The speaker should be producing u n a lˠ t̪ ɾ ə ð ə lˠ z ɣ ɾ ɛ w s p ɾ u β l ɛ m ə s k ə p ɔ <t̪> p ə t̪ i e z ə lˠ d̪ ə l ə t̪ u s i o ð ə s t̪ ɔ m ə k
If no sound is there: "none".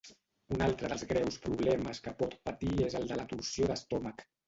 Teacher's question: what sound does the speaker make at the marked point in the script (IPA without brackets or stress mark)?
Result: t̪